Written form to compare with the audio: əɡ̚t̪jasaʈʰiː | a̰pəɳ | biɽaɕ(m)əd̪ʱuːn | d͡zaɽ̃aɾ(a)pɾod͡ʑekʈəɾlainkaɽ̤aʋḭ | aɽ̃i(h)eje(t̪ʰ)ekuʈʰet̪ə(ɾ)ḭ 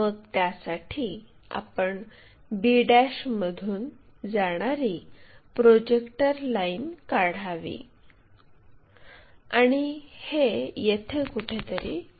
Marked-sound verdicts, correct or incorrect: correct, incorrect, correct, correct, correct

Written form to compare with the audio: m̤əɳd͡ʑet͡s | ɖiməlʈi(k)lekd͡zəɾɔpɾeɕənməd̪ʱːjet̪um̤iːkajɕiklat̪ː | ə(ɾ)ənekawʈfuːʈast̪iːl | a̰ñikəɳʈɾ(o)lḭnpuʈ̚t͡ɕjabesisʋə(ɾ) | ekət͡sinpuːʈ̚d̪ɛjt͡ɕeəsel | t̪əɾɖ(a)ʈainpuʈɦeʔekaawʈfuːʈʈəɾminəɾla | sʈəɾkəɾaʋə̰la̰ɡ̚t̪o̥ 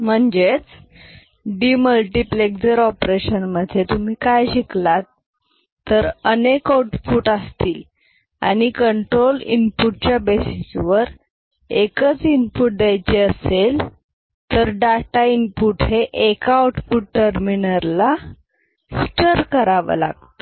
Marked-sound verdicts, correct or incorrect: incorrect, correct, correct, correct, correct

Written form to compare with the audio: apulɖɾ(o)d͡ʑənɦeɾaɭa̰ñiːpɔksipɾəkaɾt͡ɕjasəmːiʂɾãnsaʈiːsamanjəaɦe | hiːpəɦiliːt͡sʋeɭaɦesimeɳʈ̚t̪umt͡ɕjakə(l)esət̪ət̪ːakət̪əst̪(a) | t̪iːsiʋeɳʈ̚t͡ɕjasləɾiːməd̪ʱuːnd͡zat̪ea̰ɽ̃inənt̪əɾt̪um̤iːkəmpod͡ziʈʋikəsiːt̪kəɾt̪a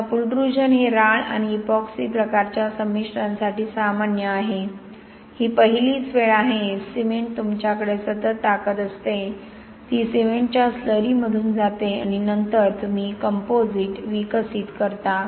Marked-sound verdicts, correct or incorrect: incorrect, incorrect, incorrect

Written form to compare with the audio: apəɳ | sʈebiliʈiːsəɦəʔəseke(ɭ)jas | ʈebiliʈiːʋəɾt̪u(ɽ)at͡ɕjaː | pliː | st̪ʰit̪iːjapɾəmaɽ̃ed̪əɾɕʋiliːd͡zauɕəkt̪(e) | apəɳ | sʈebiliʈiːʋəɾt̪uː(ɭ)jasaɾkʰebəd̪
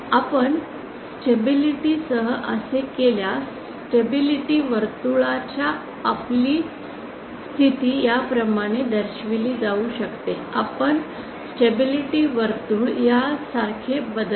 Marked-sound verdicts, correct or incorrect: incorrect, incorrect, correct, correct

